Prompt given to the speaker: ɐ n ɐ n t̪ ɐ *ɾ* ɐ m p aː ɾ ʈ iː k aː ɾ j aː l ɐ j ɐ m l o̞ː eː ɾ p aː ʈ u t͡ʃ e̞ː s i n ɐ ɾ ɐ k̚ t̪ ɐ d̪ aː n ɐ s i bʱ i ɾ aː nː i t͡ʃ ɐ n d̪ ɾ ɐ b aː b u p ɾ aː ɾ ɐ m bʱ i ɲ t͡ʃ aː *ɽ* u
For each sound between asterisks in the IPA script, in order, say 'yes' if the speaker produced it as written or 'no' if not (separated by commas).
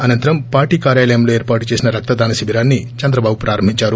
yes, no